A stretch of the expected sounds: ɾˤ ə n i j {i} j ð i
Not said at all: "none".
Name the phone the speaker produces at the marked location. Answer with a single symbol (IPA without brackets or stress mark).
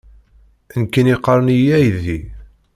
æ